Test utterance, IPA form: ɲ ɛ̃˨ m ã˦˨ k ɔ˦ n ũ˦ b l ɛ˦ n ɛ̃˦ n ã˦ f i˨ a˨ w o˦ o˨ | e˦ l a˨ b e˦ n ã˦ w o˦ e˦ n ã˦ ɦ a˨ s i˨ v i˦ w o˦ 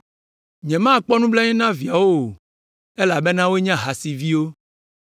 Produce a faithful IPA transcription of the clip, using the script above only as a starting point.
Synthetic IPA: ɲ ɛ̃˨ m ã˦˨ k͡p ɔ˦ n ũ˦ b l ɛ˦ ɲ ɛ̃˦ n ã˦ v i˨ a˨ w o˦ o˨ | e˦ l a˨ b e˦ n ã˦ w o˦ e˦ ɲ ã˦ ɦ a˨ s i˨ v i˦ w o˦

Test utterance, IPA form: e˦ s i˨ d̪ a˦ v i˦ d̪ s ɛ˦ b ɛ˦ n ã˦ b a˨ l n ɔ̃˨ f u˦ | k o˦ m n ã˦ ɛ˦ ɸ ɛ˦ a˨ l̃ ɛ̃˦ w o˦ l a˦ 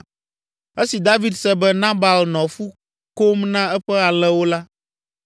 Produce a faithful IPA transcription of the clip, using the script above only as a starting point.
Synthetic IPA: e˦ s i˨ d̪ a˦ v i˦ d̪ s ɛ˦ b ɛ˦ n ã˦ b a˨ l n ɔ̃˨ f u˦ | k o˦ m n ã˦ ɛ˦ ɸ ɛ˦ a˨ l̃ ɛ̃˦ w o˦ l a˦

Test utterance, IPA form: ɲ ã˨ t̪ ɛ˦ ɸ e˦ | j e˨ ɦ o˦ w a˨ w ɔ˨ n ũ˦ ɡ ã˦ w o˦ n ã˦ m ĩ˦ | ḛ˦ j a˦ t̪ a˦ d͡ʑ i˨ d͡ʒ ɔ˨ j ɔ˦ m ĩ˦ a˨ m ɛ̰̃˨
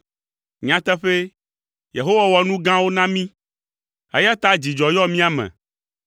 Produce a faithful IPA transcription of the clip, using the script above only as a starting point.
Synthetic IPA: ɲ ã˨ t̪ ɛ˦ ɸ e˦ | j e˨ ɦ o˦ w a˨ w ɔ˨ n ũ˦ ɡ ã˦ w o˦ n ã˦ m ĩ˦ | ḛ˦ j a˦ t̪ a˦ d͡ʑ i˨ d͡ʒ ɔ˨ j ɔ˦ m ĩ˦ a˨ m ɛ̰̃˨

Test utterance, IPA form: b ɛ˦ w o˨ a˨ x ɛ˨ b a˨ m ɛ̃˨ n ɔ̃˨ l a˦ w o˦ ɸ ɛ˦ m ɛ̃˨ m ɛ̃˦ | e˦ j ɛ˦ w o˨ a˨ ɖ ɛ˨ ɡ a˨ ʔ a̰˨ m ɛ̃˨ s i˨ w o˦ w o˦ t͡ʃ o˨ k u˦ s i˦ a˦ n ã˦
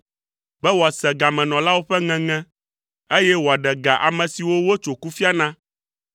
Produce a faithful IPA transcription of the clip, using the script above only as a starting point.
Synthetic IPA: b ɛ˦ w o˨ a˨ s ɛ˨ ɡ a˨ m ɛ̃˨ n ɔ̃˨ l a˦ w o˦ ɸ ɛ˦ ŋ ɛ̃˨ ŋ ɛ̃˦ | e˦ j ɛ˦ w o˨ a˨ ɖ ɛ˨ ɡ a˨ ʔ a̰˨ m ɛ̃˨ s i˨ w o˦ w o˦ t͡ʃ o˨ k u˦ f i˦ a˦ n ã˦

